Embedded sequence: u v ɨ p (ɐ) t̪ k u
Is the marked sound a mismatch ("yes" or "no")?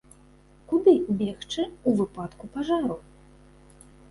yes